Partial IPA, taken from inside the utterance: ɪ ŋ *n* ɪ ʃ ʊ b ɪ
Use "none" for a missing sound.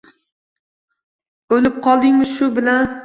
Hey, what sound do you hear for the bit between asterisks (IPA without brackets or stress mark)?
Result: m